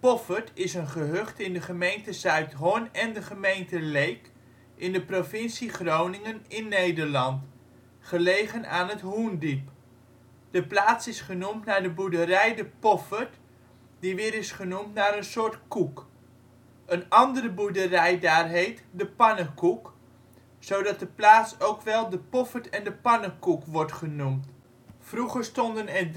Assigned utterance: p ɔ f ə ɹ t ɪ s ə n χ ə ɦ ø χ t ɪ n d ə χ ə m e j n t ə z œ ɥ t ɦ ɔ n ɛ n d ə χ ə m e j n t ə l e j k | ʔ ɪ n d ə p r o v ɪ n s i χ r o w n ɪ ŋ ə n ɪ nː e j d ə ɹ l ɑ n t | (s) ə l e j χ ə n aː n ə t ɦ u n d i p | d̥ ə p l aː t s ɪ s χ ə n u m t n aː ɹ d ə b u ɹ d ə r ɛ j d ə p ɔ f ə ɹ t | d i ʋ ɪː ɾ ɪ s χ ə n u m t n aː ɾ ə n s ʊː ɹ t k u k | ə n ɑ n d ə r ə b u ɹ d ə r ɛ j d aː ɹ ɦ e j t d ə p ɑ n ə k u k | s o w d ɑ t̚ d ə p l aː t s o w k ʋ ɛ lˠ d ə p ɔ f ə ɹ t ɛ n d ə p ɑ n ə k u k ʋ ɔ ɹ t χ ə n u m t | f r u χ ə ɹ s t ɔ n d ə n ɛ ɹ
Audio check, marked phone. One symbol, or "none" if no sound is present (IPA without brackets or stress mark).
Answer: χ